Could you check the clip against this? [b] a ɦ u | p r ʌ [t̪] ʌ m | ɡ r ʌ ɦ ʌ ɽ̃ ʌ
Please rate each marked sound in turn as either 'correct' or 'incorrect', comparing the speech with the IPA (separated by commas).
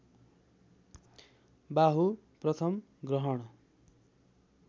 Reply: correct, incorrect